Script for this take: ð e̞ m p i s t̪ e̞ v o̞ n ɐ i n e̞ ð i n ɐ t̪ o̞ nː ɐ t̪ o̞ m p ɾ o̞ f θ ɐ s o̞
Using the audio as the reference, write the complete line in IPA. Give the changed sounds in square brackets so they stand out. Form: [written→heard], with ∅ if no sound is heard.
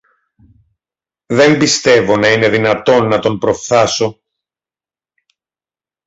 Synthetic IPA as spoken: ð e̞ m [p→b] i s t̪ e̞ v o̞ n ɐ i n e̞ ð i n ɐ t̪ o̞ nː ɐ t̪ o̞ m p ɾ o̞ f θ ɐ s o̞